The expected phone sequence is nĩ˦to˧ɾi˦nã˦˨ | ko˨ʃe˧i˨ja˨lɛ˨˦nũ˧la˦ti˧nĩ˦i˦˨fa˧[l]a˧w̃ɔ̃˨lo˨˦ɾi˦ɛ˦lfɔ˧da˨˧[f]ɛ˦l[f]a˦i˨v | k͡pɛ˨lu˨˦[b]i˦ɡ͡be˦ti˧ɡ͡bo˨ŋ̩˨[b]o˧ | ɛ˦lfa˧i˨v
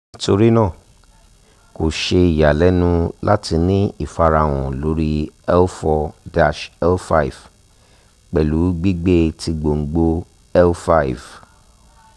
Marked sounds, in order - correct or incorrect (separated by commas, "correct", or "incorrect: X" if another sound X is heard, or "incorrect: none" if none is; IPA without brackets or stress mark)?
incorrect: ɾ, incorrect: ʃ, correct, incorrect: ɡ͡b, incorrect: ɡ͡b